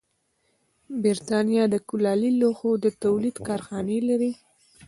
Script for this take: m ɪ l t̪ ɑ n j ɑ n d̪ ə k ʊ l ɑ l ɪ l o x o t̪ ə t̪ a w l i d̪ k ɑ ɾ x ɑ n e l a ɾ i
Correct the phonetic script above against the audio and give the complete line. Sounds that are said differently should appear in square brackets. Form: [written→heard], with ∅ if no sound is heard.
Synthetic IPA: [m→b] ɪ [l→ɾ] t̪ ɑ n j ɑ [n→∅] d̪ ə k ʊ l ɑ l [ɪ→i] l o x o [t̪→d̪] ə t̪ a w l i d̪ k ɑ ɾ x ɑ n e l a ɾ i